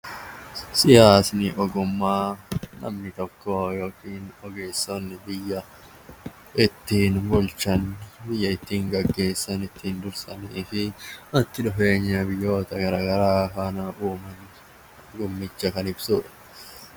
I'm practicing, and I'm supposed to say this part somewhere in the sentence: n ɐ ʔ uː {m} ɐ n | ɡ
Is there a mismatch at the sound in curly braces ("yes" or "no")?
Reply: no